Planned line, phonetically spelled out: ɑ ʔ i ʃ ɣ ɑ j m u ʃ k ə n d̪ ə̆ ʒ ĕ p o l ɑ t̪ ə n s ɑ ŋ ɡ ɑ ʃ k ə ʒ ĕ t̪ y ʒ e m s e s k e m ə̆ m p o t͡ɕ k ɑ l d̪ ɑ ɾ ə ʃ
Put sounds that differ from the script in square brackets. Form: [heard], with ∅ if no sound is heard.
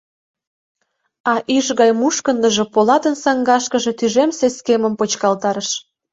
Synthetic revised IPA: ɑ ʔ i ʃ ɣ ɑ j m u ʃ k ə n d̪ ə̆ ʒ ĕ p o l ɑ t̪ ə n s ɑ ŋ ɡ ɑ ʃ k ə ʒ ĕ t̪ y ʒ e m s e s k e m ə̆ m p o t͡ɕ k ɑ l [t̪] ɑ ɾ ə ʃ